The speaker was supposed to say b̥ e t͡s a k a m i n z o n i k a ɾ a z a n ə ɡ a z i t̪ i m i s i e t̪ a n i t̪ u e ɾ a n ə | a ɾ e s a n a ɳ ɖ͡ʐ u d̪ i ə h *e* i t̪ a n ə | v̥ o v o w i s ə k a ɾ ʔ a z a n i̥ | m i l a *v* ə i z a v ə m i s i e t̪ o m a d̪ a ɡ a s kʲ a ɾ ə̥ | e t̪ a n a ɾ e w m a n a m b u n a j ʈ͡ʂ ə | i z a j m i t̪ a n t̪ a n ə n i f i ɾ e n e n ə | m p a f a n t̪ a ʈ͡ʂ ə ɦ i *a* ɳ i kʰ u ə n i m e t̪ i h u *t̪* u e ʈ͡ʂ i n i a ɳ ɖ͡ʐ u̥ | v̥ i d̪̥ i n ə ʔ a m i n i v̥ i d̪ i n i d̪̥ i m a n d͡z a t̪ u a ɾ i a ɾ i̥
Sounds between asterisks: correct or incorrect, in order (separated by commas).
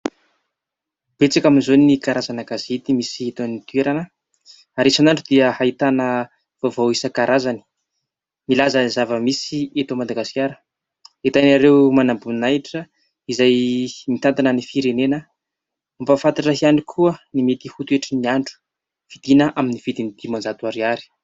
incorrect, incorrect, correct, correct